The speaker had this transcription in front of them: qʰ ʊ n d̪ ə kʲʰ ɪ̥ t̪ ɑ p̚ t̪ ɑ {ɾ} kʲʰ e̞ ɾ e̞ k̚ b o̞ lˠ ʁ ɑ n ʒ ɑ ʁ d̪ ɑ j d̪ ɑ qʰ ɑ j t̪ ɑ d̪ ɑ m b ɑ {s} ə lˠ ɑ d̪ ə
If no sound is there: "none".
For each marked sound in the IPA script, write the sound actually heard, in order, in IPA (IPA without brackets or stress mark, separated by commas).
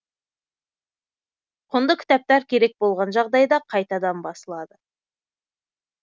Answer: ɾ, s